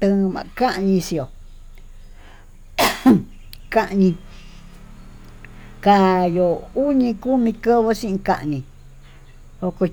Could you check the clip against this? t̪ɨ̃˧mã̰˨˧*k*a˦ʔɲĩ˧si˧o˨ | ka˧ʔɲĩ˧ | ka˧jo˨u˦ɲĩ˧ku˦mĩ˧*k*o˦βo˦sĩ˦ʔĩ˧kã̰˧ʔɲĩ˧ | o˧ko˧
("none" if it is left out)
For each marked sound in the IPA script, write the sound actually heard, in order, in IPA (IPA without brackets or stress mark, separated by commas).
k, k